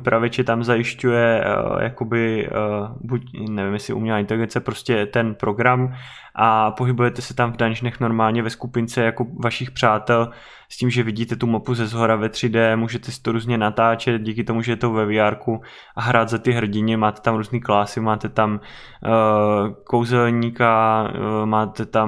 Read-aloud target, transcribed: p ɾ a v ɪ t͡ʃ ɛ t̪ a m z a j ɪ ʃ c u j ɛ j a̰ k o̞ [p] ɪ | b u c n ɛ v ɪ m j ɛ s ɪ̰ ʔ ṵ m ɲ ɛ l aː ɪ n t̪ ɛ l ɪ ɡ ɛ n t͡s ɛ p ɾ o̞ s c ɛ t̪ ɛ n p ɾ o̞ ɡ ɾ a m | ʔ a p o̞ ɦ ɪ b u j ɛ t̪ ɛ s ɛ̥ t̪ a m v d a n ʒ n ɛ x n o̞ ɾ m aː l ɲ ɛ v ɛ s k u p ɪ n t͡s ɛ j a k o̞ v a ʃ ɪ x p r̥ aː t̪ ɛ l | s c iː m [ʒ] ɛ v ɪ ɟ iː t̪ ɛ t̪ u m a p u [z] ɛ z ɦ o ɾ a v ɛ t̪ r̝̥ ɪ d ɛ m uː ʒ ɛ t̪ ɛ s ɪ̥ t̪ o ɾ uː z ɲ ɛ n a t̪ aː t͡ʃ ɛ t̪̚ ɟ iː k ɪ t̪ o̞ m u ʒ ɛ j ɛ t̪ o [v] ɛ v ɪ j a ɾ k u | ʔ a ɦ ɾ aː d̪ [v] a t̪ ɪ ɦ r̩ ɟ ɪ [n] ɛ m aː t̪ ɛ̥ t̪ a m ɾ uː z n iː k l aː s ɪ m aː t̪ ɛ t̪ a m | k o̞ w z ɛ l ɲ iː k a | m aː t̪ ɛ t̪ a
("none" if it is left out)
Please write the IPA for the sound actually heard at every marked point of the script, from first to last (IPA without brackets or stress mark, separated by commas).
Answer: b, ʒ, z, v, z, ɲ